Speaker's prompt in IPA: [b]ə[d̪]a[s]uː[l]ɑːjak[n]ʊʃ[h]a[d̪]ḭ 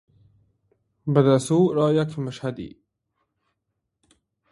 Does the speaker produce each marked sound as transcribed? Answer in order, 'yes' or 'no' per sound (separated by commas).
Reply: yes, yes, yes, no, no, yes, yes